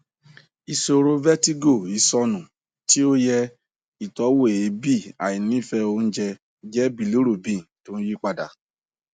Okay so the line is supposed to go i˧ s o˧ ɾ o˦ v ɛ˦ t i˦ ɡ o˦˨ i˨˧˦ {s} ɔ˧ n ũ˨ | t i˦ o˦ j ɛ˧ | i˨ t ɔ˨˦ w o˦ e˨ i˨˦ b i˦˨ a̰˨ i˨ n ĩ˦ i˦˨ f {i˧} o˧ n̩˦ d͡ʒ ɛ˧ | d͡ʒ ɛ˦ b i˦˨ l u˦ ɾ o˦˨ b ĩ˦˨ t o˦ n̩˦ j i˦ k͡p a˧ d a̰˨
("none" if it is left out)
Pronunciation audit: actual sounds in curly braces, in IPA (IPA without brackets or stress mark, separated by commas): s, ɛ˧